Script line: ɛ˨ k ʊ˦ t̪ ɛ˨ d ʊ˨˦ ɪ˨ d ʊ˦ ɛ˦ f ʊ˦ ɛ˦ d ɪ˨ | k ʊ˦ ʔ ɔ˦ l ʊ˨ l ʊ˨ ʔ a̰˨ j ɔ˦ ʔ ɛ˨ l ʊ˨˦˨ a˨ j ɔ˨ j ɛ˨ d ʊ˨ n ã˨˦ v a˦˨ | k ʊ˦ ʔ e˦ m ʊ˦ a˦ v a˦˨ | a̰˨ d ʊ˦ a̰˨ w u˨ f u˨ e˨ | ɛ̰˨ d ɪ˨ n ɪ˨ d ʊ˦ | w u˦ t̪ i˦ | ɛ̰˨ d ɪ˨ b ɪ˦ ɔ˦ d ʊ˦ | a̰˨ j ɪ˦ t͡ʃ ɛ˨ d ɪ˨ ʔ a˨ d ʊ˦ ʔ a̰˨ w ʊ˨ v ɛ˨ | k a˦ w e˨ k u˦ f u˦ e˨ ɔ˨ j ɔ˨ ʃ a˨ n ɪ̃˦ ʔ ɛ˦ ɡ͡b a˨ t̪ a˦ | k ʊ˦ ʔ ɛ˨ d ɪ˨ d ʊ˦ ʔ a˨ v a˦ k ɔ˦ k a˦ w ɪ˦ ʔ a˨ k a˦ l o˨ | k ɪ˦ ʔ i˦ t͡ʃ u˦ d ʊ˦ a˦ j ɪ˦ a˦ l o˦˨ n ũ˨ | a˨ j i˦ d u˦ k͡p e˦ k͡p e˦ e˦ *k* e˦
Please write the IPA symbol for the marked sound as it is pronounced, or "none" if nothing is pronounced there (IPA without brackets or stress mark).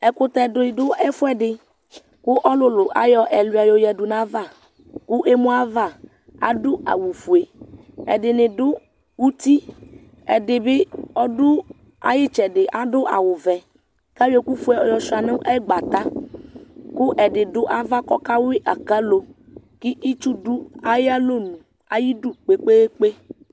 k͡p